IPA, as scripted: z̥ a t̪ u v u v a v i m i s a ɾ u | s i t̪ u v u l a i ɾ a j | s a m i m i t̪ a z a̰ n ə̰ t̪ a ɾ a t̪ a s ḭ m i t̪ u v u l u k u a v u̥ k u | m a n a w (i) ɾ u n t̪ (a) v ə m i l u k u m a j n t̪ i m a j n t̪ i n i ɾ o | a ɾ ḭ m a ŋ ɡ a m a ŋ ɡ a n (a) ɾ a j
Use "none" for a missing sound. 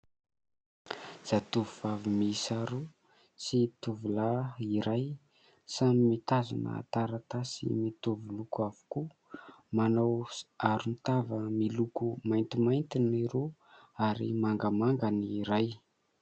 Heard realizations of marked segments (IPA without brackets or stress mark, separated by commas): a, a, i